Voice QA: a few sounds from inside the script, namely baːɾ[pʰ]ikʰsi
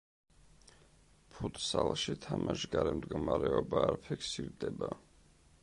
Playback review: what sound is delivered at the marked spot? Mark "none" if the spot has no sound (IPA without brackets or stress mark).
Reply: pʰ